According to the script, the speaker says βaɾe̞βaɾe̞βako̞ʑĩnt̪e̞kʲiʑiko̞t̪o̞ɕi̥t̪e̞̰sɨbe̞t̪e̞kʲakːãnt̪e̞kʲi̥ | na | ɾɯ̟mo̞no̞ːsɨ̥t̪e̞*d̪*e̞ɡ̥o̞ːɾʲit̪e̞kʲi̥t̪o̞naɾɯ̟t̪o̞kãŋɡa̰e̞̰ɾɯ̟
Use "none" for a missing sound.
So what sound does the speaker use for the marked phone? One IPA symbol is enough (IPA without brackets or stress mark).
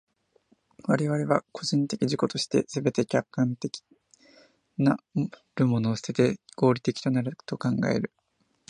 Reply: t̪